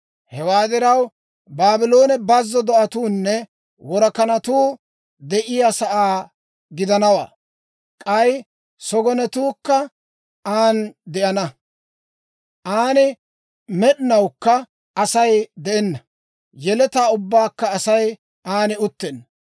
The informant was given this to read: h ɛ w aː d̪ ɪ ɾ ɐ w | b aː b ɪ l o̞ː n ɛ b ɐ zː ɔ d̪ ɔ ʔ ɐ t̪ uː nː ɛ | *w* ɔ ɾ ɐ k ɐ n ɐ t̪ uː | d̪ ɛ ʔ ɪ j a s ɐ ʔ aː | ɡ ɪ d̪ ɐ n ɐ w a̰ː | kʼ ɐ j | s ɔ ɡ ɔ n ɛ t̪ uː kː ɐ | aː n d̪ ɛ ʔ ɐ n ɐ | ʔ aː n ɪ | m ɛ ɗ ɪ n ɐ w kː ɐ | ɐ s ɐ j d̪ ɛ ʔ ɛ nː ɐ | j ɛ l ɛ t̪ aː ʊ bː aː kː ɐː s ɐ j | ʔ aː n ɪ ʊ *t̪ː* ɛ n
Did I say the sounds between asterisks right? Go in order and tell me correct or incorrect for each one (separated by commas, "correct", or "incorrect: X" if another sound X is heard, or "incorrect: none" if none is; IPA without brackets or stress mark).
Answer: correct, correct